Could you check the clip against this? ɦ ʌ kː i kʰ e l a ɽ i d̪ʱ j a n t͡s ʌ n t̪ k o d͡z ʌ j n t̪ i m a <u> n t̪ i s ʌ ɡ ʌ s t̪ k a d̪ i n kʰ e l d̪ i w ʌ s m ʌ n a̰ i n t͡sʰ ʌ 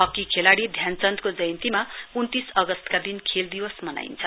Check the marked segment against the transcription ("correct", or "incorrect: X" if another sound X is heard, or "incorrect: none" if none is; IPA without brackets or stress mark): correct